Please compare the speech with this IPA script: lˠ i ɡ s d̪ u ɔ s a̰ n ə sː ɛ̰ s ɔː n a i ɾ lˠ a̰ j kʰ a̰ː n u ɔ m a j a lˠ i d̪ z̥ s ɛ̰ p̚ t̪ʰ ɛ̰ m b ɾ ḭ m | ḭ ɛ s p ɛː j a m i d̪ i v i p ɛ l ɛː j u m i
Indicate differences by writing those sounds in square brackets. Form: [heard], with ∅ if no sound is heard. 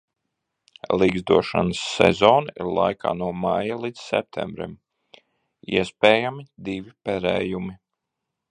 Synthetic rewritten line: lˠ i ɡ [z] d̪ u ɔ [ʃ] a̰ n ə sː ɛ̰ [z] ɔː n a i ɾ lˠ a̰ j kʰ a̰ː n u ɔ m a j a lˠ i d̪ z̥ s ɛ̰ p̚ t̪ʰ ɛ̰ m b ɾ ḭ m | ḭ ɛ s p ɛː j a m i d̪ i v i p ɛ [ɾ] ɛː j u m i